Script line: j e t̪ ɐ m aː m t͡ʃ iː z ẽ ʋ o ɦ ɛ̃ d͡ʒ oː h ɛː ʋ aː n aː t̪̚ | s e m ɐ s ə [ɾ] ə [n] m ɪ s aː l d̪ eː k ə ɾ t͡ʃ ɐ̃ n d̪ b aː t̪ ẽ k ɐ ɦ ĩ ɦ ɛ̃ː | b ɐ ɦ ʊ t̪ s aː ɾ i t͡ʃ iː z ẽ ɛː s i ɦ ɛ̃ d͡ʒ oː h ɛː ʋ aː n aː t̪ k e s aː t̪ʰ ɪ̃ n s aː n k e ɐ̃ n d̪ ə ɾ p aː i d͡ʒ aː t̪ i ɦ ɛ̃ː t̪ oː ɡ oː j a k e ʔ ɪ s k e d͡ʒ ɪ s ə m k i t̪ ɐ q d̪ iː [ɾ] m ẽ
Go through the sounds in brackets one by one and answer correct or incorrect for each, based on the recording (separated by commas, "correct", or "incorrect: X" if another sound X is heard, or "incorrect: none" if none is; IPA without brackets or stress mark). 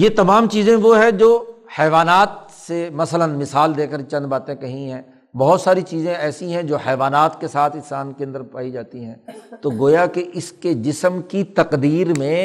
incorrect: l, correct, correct